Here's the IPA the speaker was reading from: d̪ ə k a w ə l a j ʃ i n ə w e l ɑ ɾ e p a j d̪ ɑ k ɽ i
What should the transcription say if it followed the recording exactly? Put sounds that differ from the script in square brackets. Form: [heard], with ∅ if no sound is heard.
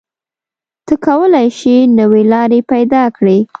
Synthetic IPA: [t̪] ə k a w ə l a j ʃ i n ə w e l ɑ ɾ e p a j d̪ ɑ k ɽ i